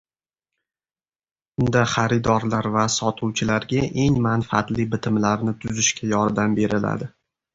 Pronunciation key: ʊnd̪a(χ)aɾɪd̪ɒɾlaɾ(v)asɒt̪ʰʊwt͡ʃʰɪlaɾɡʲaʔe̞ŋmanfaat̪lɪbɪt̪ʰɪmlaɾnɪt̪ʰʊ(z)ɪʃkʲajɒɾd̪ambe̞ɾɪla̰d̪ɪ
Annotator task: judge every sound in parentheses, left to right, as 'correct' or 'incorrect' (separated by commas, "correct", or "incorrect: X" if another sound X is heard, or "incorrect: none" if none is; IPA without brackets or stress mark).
correct, correct, correct